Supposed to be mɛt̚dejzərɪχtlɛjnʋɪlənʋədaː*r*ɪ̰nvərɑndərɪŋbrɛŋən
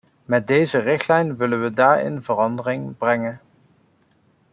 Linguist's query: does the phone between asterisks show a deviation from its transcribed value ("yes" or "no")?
yes